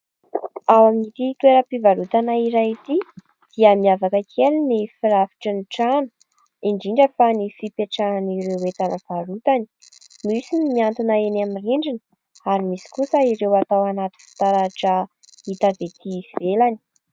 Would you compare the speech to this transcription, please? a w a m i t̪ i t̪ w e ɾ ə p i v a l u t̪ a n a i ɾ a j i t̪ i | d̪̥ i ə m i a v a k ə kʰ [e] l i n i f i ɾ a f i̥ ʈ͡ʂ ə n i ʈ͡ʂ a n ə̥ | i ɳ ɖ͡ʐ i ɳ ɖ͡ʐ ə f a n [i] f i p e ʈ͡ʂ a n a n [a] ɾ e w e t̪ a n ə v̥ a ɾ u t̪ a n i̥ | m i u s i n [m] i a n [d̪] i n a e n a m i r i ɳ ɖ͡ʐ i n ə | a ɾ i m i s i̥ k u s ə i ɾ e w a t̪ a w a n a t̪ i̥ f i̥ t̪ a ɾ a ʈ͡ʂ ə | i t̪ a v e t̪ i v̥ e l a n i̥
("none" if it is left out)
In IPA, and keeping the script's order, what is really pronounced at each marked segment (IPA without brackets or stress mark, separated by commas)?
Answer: e, i, i, m, t̪